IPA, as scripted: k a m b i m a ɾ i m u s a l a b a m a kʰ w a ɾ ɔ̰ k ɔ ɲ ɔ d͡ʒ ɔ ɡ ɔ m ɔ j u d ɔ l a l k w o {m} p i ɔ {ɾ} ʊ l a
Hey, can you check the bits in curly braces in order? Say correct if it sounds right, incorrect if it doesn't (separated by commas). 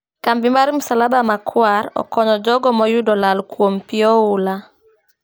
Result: correct, incorrect